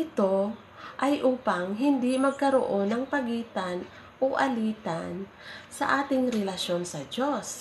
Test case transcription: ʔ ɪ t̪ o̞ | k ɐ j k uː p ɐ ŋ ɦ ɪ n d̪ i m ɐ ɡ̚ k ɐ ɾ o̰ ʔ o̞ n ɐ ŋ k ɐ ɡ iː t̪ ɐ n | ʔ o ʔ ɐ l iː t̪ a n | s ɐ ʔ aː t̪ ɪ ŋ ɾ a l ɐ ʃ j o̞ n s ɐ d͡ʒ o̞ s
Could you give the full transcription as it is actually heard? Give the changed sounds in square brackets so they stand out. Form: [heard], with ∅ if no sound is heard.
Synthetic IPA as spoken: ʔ ɪ t̪ o̞ | [ʔ] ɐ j [ʔ] uː p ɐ ŋ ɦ ɪ n d̪ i m ɐ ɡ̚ k ɐ ɾ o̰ ʔ o̞ n ɐ ŋ [p] ɐ ɡ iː t̪ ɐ n | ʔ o ʔ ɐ l iː t̪ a n | s ɐ ʔ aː t̪ ɪ ŋ ɾ [ɛ] l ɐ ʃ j o̞ n s ɐ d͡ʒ o̞ s